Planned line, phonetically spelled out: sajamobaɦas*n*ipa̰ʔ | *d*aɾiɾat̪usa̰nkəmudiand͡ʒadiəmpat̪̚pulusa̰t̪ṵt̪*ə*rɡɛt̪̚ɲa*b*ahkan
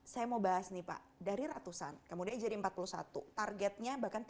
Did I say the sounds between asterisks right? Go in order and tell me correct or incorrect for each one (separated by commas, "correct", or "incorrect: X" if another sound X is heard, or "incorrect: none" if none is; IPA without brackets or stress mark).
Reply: correct, correct, incorrect: a, correct